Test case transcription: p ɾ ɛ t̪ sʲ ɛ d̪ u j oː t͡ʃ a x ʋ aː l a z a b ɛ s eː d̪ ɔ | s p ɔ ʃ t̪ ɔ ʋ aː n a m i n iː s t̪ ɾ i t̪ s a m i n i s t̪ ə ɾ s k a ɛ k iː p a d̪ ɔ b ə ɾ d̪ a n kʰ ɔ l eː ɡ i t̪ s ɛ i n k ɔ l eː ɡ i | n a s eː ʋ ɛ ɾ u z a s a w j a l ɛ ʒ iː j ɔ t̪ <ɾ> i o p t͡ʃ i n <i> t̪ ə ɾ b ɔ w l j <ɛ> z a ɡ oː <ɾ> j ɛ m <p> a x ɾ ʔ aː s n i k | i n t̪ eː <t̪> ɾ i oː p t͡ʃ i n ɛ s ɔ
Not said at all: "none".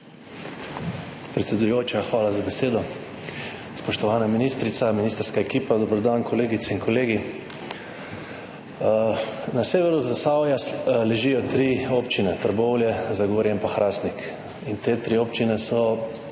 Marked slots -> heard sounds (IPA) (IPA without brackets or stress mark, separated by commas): ɾ, ɛ, ɛ, ɾ, p, t̪